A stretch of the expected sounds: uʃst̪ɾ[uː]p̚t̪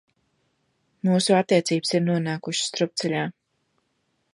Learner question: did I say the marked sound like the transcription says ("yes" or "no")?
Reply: no